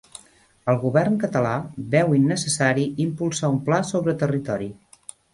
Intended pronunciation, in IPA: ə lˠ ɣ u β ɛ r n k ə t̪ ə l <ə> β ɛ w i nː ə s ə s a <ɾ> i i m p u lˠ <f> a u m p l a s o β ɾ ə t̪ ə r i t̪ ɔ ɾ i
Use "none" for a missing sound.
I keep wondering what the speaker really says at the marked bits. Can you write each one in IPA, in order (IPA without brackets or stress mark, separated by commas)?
a, ɾ, s